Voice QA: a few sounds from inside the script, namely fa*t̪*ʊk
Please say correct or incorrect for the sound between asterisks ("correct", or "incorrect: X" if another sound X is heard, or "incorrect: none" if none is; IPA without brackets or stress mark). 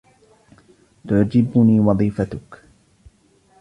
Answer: correct